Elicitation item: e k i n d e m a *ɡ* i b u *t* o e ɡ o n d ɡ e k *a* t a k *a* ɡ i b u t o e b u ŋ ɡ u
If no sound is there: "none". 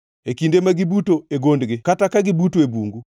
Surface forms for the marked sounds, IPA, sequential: ɡ, t, a, a

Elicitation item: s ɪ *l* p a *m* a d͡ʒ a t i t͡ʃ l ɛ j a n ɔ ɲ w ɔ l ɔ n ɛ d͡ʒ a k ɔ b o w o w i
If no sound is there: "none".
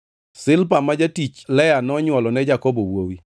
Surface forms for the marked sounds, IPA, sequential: l, m

